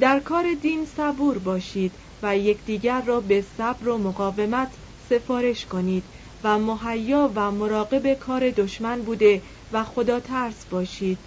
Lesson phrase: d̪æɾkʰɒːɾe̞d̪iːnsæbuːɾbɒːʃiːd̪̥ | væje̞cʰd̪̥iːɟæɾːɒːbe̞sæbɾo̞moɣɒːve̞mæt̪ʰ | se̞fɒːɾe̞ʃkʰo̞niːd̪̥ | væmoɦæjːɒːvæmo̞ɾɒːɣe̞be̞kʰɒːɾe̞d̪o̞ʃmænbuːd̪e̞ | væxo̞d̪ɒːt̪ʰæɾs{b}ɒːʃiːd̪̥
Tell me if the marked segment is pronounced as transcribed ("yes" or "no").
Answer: yes